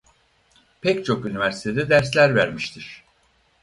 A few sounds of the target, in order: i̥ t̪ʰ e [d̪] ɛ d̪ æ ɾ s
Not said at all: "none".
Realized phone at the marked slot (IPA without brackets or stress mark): d̪